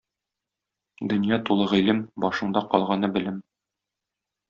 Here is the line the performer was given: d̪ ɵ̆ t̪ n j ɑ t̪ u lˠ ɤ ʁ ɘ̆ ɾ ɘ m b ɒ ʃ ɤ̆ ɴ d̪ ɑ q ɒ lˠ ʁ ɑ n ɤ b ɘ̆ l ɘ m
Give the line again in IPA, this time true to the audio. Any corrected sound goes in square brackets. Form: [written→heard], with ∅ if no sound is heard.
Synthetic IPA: d̪ ɵ̆ [t̪→∅] n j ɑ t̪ u lˠ ɤ ʁ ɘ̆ [ɾ→l] ɘ m b ɒ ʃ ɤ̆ ɴ d̪ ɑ q ɒ lˠ ʁ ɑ n ɤ b ɘ̆ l ɘ m